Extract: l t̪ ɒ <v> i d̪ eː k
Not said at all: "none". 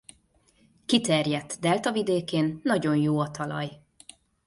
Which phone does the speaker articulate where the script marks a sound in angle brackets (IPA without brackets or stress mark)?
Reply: v